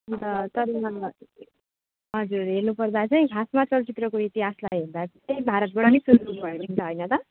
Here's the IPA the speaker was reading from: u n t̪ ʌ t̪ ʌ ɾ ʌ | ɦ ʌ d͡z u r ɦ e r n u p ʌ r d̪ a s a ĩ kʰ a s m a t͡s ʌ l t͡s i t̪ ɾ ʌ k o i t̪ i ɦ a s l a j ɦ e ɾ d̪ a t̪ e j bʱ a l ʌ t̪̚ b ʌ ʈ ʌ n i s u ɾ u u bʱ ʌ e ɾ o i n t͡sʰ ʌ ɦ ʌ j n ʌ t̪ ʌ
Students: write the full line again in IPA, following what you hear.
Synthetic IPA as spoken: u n t̪ ʌ t̪ ʌ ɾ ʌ | ɦ ʌ d͡z u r ɦ e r n u p ʌ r d̪ a t͡s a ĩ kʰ a s m a t͡s ʌ l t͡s i t̪ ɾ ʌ k o i t̪ i ɦ a s l a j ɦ e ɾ d̪ a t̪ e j bʱ a ɾ ʌ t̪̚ b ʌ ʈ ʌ n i s u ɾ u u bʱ ʌ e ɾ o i n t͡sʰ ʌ ɦ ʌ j n ʌ t̪ ʌ